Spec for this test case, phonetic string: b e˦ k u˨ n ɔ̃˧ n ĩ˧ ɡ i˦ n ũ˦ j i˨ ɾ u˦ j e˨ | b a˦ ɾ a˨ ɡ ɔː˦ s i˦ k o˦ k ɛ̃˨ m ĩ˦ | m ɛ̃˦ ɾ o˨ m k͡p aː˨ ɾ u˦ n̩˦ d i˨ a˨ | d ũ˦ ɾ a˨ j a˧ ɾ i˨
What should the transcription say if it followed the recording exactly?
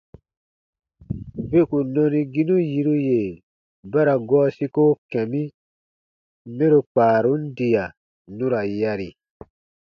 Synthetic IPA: b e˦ k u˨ n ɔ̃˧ n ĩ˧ ɡ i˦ n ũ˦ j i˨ ɾ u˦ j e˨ | b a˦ ɾ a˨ ɡ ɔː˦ s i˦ k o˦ k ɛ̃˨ m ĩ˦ | m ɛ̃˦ ɾ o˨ k͡p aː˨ ɾ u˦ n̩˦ d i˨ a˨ | n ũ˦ ɾ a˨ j a˧ ɾ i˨